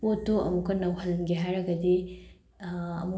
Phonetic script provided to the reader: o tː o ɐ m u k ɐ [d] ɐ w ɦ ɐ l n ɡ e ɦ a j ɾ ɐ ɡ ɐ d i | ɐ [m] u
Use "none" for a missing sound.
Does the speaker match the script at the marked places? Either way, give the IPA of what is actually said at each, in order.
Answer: n, m

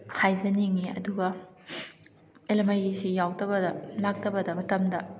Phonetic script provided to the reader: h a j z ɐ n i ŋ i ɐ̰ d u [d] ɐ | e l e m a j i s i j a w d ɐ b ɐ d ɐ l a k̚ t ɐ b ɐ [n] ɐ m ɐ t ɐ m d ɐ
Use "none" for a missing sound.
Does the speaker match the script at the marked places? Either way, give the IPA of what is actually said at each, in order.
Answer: ɡ, d

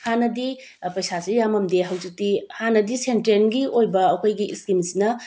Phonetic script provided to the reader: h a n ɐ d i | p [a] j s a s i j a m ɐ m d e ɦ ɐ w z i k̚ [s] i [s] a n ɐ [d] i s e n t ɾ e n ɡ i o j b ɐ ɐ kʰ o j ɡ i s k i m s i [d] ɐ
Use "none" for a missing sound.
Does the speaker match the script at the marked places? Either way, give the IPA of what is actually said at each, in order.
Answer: ɐ, t, h, d, n

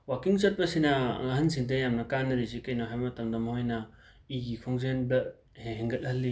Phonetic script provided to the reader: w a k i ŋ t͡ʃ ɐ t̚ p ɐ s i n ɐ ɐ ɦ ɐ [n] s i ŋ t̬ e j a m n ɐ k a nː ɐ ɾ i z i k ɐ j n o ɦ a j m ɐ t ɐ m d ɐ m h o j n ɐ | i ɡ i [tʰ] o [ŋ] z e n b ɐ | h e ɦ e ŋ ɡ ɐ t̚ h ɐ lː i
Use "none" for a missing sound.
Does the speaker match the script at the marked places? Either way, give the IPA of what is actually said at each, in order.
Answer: n, kʰ, ŋ

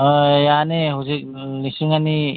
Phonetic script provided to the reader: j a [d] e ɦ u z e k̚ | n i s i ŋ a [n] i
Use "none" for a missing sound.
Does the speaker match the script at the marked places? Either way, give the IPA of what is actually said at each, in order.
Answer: n, n

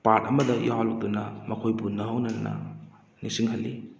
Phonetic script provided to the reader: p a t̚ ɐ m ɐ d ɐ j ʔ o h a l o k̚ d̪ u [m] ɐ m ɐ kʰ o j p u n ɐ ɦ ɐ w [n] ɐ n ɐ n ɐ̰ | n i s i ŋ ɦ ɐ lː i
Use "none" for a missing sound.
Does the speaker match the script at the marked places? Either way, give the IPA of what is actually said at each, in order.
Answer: n, n

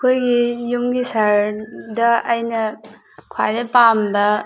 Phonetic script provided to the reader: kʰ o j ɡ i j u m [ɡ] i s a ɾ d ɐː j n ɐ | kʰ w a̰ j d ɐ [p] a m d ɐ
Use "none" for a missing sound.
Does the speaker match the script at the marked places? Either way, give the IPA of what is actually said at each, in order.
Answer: ɡ, p

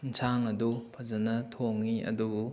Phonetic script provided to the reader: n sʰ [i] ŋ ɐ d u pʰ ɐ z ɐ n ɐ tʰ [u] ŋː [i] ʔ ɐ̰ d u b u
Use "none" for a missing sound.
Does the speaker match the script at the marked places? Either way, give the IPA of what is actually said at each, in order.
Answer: a, o, i

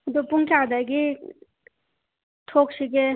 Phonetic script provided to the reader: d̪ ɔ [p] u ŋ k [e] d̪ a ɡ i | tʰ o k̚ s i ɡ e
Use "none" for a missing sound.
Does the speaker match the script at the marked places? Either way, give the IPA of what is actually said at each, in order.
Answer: p, a

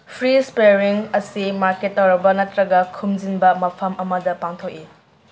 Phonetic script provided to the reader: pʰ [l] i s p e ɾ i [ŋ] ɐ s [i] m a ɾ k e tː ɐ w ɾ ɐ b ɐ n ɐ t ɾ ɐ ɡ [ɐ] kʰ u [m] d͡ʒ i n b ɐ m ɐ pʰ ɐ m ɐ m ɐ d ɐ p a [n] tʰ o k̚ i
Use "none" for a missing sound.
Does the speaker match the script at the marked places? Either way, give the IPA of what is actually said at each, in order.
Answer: ɾ, ŋ, i, ɐ, m, ŋ

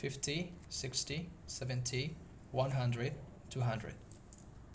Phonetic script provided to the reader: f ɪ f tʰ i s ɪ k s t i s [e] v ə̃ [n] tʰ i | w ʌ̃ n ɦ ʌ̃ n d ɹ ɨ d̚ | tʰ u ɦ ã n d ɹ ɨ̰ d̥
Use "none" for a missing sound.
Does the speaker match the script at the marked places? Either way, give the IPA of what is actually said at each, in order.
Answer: ɛ, n

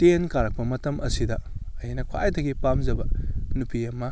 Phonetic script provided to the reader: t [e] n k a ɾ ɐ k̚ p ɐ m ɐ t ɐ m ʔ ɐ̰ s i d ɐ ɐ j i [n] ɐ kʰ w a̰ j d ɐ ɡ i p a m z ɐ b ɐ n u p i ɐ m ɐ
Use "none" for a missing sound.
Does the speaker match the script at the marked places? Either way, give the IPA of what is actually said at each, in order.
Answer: e, n

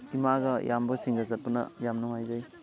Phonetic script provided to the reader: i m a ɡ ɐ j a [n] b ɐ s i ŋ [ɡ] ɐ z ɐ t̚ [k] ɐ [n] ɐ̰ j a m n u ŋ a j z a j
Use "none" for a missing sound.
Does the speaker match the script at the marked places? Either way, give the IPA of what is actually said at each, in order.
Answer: m, ɡ, p, n

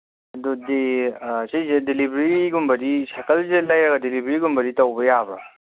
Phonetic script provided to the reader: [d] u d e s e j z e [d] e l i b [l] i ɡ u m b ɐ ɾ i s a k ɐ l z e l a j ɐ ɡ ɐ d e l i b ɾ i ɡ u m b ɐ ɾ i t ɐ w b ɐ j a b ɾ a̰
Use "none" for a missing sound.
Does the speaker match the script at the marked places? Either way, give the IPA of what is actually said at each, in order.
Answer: d, d, ɾ

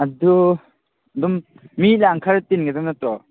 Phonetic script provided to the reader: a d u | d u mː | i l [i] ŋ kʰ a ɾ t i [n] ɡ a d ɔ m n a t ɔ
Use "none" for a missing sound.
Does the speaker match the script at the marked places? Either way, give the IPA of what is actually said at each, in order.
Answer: a, n

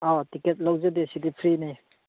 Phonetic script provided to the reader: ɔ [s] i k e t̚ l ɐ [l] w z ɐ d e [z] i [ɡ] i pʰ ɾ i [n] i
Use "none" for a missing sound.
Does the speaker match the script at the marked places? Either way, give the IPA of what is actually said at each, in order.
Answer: t, none, s, d, n

